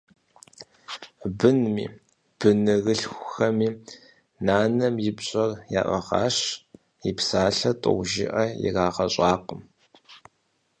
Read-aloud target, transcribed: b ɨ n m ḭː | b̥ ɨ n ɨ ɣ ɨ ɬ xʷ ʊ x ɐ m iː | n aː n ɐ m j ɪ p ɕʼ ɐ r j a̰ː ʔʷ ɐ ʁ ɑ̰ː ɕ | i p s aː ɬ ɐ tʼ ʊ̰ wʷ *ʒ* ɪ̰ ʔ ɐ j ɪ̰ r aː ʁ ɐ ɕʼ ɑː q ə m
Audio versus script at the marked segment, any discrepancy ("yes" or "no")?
no